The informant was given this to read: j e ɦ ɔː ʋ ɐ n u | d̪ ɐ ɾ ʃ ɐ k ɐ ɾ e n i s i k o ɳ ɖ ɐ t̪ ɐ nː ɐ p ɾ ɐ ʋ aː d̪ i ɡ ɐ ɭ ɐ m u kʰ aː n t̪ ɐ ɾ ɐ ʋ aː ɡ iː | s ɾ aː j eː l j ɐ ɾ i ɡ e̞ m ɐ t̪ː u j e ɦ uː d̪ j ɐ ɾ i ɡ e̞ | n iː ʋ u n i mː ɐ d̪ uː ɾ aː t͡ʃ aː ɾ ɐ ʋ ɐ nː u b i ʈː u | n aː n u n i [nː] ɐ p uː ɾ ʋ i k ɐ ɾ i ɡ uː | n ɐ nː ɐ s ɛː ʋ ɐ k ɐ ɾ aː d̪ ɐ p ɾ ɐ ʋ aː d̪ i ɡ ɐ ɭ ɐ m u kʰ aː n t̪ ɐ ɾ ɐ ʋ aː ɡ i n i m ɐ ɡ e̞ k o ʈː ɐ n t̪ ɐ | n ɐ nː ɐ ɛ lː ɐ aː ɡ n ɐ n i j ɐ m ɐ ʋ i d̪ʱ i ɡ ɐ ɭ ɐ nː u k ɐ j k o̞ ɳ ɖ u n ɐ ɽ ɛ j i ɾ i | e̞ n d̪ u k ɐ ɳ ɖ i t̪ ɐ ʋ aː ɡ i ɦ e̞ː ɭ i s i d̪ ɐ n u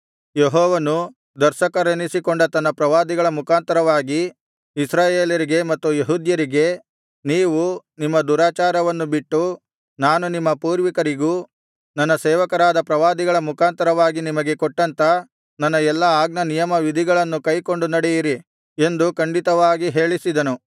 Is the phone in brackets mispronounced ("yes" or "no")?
yes